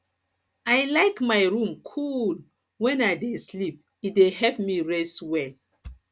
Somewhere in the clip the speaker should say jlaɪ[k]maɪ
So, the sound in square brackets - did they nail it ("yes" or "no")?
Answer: yes